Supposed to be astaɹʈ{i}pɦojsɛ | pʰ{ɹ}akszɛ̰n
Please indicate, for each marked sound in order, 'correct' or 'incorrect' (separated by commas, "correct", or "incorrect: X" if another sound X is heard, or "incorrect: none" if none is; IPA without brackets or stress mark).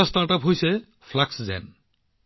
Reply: incorrect: a, incorrect: l